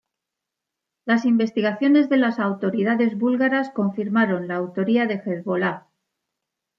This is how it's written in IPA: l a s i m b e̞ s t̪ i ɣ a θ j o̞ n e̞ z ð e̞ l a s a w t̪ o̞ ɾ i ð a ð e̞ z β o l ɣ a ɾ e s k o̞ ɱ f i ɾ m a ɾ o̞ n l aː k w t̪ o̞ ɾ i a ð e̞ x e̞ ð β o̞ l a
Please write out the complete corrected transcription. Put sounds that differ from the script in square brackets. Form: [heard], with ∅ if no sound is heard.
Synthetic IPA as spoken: l a s i m b e̞ s t̪ i ɣ a θ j o̞ n e̞ z ð e̞ l a s a w t̪ o̞ ɾ i ð a ð e̞ z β [u] l ɣ a ɾ [a] s k o̞ ɱ f i ɾ m a ɾ o̞ n l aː [∅] w t̪ o̞ ɾ i a ð e̞ x e̞ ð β o̞ l a